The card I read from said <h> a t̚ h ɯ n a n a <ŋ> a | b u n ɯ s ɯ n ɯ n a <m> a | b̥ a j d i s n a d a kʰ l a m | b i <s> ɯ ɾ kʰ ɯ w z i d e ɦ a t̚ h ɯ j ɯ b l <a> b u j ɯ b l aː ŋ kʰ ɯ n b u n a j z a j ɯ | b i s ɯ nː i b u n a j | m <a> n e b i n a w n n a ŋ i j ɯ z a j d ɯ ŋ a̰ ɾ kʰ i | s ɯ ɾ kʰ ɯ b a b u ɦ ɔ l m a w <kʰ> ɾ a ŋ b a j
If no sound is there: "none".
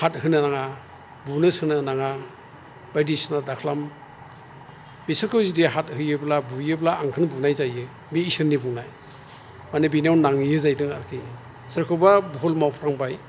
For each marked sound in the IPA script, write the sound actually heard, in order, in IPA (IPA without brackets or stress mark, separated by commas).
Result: h, ŋ, ŋ, s, a, a, pʰ